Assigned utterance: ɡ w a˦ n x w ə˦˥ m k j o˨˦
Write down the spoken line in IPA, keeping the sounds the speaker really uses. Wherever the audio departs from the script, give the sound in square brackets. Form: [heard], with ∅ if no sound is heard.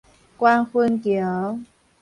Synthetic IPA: [k] w a˦ n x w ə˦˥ [n] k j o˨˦